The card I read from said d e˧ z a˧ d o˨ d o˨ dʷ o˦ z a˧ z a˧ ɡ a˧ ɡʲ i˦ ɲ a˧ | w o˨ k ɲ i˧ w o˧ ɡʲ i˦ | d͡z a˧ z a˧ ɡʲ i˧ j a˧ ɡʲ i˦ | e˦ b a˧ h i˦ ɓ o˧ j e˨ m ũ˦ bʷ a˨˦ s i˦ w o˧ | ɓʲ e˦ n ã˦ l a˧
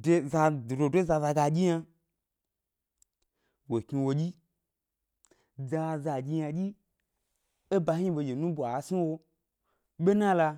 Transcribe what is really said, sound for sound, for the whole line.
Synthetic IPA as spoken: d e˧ z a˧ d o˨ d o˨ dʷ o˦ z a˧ z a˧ ɡ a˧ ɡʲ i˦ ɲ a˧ | w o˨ k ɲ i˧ w o˧ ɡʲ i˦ | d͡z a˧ z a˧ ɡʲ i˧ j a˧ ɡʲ i˦ | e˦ b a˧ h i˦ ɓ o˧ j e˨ n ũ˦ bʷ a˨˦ s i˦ w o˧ | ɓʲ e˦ n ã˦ l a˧